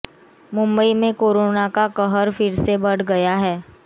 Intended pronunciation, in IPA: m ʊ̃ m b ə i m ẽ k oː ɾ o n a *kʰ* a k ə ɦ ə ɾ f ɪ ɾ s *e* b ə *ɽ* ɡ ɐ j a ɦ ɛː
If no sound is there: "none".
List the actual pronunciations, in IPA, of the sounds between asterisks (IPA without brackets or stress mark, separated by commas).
k, e, ɽ